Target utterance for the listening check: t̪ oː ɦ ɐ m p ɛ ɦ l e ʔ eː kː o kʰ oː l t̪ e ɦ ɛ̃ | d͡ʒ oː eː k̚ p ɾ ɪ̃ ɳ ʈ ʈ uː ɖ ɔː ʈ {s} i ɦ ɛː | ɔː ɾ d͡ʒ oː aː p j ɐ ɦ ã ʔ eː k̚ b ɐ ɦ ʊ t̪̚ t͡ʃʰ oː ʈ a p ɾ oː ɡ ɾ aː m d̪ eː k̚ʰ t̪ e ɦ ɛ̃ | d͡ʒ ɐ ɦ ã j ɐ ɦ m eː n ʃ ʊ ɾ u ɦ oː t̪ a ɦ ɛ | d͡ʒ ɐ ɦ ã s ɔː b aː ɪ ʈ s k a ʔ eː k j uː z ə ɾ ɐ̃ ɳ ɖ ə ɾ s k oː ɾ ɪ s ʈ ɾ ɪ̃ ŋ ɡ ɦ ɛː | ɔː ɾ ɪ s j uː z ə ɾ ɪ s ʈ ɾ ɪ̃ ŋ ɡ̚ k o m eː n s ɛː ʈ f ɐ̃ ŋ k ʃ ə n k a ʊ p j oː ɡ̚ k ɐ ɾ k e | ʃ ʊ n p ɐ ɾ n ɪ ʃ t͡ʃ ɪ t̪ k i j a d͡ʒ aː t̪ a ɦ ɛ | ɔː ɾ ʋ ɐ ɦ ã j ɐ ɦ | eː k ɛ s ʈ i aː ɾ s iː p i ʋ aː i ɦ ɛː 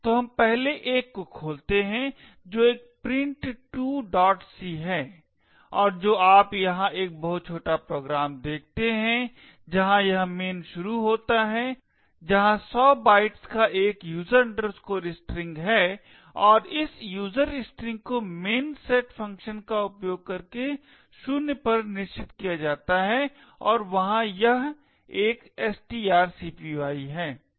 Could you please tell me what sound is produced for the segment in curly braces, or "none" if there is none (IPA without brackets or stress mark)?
s